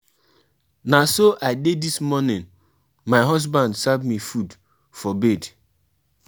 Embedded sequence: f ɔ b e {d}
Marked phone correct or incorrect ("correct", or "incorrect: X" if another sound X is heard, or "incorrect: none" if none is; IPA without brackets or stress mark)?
correct